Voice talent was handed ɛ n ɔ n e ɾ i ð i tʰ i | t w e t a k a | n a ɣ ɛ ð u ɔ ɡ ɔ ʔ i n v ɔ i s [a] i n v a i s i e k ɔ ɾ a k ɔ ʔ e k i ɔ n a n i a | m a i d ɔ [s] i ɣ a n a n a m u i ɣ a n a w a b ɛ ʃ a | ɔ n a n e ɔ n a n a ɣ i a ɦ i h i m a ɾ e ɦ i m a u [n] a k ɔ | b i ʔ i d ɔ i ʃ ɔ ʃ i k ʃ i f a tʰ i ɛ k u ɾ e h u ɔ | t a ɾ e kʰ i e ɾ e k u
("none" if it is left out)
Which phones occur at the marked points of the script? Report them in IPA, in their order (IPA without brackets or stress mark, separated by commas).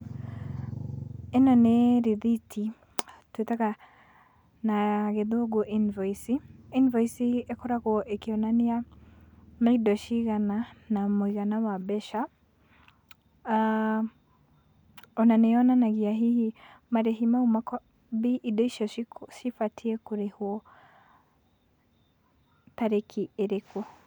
i, ʃ, m